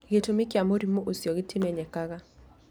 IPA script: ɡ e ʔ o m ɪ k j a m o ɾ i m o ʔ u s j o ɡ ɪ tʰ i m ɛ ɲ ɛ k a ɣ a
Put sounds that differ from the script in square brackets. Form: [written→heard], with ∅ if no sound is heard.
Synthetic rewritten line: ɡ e [ʔ→t] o m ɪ k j a m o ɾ i m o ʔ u s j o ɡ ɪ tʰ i m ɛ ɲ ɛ k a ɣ a